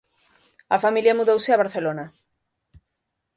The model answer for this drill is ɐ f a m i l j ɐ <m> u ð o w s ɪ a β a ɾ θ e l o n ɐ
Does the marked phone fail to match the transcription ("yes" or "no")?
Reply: no